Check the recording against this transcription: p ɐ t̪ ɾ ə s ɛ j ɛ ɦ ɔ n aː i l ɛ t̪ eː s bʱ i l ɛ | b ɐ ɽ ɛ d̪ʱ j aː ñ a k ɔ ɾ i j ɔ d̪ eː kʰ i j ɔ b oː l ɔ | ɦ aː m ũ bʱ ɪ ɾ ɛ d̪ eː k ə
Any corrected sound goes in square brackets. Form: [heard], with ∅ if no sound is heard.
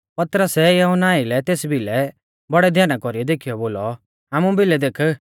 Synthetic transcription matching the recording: p ɐ t̪ ɾ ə s ɛ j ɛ ɦ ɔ n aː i l ɛ t̪ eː s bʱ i l ɛ | b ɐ ɽ ɛ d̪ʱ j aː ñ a k ɔ ɾ i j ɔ d̪ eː kʰ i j ɔ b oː l ɔ | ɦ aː m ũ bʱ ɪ [l] ɛ d̪ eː [kʰ] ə